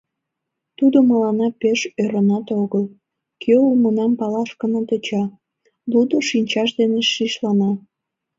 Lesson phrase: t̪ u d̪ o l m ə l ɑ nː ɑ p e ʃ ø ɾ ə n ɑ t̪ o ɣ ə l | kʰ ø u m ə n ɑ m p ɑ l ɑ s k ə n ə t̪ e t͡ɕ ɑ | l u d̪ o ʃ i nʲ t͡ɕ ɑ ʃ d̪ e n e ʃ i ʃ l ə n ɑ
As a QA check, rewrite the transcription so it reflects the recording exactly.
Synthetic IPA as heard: t̪ u d̪ o m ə l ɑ n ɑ p e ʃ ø ɾ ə n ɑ t̪ o ɣ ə l | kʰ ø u m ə n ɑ m p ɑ l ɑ ʃ k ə n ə t̪ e t͡ɕ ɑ | l u d̪ o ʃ i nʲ t͡ɕ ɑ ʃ d̪ e n e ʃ i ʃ l ɑ n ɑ